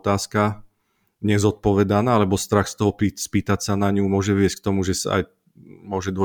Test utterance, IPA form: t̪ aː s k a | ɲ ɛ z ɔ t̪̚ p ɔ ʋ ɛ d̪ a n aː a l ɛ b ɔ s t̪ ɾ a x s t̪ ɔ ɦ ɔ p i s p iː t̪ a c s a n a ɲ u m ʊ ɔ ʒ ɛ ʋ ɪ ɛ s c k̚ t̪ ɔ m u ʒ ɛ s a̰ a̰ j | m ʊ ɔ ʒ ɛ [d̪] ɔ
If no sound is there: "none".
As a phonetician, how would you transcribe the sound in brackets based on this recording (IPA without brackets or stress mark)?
d̪